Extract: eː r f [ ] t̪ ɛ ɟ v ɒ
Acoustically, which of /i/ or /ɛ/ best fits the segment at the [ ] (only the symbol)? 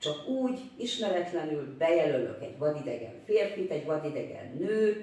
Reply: i